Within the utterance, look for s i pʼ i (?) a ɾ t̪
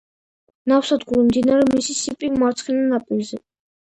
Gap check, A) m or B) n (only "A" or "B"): A